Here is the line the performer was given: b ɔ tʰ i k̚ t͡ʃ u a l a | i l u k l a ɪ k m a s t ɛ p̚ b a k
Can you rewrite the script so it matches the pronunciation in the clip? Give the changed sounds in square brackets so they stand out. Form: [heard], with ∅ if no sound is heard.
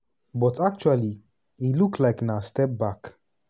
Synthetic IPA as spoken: b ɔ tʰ [a] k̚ t͡ʃ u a l [i] | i l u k l a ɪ k [n] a s t ɛ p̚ b a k